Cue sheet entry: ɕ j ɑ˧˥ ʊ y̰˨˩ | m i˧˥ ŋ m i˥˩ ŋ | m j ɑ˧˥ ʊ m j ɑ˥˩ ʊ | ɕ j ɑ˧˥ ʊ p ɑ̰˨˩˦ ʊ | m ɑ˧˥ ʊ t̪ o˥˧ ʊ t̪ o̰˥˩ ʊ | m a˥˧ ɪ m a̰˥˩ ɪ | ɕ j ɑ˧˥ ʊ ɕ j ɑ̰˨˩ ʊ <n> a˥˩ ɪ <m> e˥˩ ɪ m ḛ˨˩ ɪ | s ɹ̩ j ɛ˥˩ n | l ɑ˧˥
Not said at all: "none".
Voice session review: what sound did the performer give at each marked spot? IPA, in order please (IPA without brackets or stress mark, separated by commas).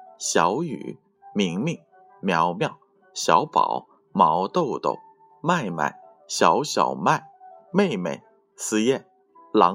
m, m